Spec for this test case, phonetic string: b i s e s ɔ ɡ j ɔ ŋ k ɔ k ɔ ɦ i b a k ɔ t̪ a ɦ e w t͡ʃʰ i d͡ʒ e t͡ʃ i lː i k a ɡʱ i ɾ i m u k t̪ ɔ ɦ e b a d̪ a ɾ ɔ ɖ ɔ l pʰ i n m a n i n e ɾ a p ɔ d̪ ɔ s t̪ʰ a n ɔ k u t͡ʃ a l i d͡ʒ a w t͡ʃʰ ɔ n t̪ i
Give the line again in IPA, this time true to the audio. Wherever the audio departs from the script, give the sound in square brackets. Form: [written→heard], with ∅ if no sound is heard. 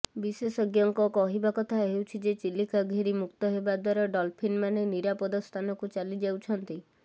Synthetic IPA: b i s e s ɔ ɡ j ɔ ŋ k ɔ k ɔ ɦ i b a k ɔ [t̪→t̪ʰ] a ɦ e w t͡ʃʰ i d͡ʒ e t͡ʃ i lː i k a ɡʱ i ɾ i m u k t̪ ɔ ɦ e b a d̪ a ɾ ɔ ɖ ɔ l pʰ i n m a n [i→e] n [e→i] ɾ a p ɔ d̪ ɔ s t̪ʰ a n ɔ k u t͡ʃ a l i d͡ʒ a w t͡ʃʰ ɔ n t̪ i